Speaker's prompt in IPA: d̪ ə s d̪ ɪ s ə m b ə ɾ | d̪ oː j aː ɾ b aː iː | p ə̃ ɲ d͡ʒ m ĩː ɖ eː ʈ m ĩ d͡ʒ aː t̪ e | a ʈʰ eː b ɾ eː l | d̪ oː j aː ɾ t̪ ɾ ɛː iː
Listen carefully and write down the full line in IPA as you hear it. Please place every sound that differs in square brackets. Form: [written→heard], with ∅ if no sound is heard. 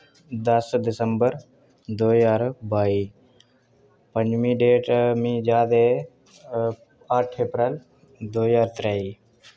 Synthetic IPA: d̪ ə s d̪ ɪ s ə m b ə ɾ | d̪ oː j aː ɾ b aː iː | p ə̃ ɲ d͡ʒ m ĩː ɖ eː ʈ m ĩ d͡ʒ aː [t̪→d̪] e | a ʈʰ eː [b→p] ɾ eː l | d̪ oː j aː ɾ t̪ ɾ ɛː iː

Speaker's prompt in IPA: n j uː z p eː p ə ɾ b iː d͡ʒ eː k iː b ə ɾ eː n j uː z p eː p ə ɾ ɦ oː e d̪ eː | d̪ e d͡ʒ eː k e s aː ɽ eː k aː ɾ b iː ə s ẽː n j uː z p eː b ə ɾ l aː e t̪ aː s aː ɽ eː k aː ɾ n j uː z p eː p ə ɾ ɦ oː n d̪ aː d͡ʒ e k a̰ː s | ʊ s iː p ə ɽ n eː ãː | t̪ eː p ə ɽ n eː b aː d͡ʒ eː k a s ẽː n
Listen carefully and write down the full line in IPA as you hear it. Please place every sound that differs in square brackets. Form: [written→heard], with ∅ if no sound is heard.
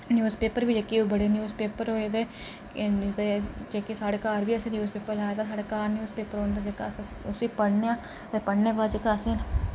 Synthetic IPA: n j uː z p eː p ə ɾ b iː d͡ʒ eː k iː b ə [ɾ→ɽ] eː n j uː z p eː p ə ɾ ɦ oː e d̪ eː | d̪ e d͡ʒ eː k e s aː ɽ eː k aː ɾ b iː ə s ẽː n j uː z p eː [b→p] ə ɾ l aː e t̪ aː s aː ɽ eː k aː ɾ n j uː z p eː p ə ɾ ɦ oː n d̪ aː d͡ʒ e k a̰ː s | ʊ s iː p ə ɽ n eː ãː | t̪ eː p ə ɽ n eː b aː d͡ʒ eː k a s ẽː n

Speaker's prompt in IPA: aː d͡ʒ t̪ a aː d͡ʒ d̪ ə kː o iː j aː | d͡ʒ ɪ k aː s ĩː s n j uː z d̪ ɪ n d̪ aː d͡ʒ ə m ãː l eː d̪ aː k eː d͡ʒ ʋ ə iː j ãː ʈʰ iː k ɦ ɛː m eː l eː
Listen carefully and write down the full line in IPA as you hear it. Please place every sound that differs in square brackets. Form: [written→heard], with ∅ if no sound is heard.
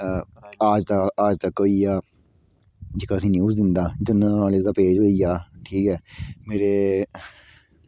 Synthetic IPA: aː d͡ʒ t̪ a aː d͡ʒ [d̪→t̪] ə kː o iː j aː | d͡ʒ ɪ k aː s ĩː [s→∅] n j uː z d̪ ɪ n d̪ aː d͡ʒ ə [m→n] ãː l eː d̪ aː [k→p] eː d͡ʒ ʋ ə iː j [ãː→aː] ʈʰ iː k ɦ ɛː m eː [l→ɾ] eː

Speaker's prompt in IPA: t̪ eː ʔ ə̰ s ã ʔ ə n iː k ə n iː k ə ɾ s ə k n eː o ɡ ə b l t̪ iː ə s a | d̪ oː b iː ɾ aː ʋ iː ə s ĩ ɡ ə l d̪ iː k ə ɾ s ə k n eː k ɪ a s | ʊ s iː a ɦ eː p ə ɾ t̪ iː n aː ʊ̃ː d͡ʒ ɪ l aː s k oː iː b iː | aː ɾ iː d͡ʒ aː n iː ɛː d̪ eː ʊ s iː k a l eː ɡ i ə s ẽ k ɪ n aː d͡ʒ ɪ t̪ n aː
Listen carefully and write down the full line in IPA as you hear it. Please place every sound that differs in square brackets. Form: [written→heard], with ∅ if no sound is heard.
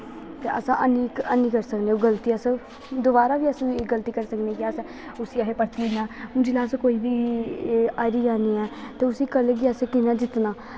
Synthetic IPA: t̪ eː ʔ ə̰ s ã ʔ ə n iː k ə n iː k ə ɾ s ə k n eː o ɡ ə [b→∅] l t̪ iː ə s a | d̪ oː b [iː→aː] ɾ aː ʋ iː ə s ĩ ɡ ə l [d̪→t̪] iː k ə ɾ s ə k n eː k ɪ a s | ʊ s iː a ɦ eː p ə ɾ t̪ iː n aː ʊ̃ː d͡ʒ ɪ l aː s k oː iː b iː | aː ɾ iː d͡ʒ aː n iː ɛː [d̪→t̪] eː ʊ s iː k [a→ə] l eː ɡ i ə s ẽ k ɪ n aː d͡ʒ ɪ t̪ n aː

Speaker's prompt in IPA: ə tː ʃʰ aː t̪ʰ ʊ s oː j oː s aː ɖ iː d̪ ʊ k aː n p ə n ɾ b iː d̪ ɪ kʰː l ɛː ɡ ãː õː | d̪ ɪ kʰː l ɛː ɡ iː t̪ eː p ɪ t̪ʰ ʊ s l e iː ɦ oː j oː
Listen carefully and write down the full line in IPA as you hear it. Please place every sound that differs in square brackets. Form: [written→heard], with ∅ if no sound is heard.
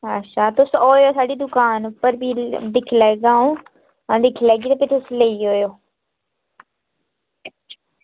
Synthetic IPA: ə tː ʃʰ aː [t̪ʰ→t̪] ʊ s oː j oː s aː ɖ iː d̪ ʊ k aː n p ə [n→∅] ɾ b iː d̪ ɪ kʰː l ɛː ɡ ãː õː | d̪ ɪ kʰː l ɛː ɡ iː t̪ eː p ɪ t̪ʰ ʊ s l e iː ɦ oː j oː

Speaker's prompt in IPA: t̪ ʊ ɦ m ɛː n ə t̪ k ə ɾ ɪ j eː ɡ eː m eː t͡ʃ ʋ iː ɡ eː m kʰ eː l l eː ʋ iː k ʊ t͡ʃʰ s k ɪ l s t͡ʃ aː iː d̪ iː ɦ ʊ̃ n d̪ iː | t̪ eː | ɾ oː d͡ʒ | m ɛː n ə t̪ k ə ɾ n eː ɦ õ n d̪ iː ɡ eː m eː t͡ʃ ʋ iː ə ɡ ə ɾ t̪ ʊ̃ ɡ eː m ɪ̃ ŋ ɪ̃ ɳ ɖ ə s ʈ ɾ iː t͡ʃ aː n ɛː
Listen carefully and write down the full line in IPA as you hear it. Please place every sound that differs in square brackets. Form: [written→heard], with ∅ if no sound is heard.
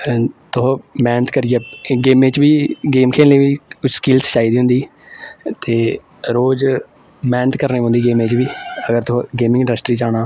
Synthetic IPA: t̪ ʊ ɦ m ɛː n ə t̪ k ə ɾ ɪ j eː ɡ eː m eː t͡ʃ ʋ iː ɡ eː m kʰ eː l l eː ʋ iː k ʊ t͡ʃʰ s k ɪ l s t͡ʃ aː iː d̪ iː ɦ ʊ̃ n d̪ iː | t̪ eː | ɾ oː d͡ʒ | m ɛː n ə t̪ k ə ɾ n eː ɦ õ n d̪ iː ɡ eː m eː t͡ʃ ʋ iː ə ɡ ə ɾ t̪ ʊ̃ ɡ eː m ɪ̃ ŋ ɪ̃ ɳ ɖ ə s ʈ ɾ iː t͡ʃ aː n [ɛː→aː]

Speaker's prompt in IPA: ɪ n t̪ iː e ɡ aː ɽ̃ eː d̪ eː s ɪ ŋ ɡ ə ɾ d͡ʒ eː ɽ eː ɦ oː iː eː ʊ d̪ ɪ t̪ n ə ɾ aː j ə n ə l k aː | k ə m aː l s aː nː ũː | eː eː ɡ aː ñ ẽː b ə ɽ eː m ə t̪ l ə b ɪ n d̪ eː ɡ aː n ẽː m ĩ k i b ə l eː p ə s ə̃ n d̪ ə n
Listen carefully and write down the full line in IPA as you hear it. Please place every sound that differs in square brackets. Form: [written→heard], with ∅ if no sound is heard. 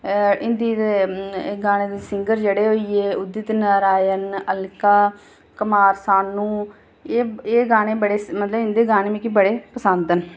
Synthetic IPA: ɪ n [t̪→d̪] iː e ɡ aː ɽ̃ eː d̪ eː s ɪ ŋ ɡ ə ɾ d͡ʒ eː ɽ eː ɦ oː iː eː ʊ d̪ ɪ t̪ n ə ɾ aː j ə n ə l k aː | k ə m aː [l→ɾ] s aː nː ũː | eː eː ɡ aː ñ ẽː b ə ɽ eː m ə t̪ l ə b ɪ n d̪ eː ɡ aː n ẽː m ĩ k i b ə [l→ɽ] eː p ə s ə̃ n d̪ ə n

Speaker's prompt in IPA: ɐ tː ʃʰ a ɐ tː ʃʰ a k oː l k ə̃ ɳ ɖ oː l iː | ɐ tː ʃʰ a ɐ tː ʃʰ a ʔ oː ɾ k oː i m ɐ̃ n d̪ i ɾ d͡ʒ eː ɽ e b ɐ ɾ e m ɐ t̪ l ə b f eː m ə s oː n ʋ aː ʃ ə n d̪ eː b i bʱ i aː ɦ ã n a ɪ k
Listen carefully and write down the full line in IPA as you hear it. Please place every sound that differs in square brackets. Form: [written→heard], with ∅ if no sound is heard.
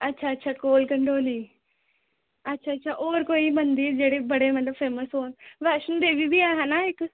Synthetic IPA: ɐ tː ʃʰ a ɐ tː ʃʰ a k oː l k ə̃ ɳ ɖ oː l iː | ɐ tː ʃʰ a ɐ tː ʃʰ a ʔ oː ɾ k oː i m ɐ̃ n d̪ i ɾ d͡ʒ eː ɽ e b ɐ [ɾ→ɽ] e m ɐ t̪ l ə b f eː m ə s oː n ʋ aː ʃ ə n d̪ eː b i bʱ i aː ɦ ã n a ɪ k

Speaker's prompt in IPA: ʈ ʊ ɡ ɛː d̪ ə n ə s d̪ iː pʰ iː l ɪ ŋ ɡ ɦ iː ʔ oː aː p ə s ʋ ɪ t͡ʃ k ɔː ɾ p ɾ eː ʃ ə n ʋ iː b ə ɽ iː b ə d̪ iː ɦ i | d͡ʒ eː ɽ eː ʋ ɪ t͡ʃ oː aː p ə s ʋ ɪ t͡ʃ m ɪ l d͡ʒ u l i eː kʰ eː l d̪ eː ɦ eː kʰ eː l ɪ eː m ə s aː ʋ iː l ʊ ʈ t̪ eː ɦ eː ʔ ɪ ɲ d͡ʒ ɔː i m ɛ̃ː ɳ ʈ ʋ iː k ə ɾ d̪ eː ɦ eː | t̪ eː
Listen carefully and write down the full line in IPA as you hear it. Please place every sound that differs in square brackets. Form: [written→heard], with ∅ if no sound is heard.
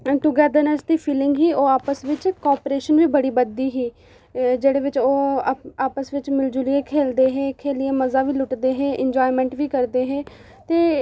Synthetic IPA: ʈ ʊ ɡ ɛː d̪ ə n ə s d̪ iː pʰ iː l ɪ ŋ ɡ ɦ iː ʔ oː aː p ə s ʋ ɪ t͡ʃ k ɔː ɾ p ɾ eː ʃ ə n ʋ iː b ə ɽ iː b ə d̪ iː ɦ [i→iː] | d͡ʒ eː ɽ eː ʋ ɪ t͡ʃ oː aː p ə s ʋ ɪ t͡ʃ m ɪ l d͡ʒ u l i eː kʰ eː l d̪ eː ɦ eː kʰ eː l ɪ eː m ə [s→z] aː ʋ iː l ʊ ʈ [t̪→d̪] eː ɦ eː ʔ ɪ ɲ d͡ʒ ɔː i m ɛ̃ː ɳ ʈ ʋ iː k ə ɾ d̪ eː ɦ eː | t̪ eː

